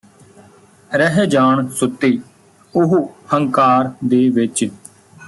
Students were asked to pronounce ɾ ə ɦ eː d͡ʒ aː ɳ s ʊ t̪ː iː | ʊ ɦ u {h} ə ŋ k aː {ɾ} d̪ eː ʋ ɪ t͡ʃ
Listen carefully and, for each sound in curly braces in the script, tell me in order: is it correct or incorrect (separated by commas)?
correct, correct